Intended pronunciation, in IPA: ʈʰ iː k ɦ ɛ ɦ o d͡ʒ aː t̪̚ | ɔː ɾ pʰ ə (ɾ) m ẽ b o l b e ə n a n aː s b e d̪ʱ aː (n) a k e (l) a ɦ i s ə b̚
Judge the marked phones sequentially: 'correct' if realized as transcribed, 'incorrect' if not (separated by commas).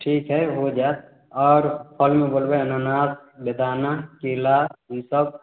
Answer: incorrect, correct, correct